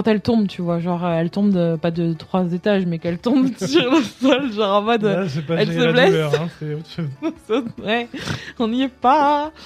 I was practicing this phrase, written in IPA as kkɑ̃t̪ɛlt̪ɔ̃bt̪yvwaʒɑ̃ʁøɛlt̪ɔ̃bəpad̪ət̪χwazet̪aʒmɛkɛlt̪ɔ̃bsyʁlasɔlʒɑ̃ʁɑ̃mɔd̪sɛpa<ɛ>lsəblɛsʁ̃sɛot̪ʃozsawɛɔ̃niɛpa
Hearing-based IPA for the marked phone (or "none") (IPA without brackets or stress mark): ɛ